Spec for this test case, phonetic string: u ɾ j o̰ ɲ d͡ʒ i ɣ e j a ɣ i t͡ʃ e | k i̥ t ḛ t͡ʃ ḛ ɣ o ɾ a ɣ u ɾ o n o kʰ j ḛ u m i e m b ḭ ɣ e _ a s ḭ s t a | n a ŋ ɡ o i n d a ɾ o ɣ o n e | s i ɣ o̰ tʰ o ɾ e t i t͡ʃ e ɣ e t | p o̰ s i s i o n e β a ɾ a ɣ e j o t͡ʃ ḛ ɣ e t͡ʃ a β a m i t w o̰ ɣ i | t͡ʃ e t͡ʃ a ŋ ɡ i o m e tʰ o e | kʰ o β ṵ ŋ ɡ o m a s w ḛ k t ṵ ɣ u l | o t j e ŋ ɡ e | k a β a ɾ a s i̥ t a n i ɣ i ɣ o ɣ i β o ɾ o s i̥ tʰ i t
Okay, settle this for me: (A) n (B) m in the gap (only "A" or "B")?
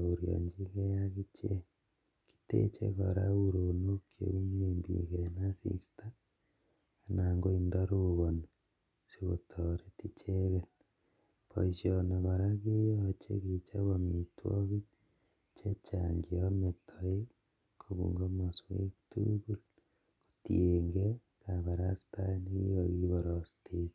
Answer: A